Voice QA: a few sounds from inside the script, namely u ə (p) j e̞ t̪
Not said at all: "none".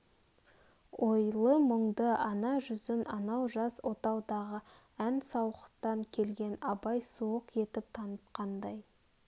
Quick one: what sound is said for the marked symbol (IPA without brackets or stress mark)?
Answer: q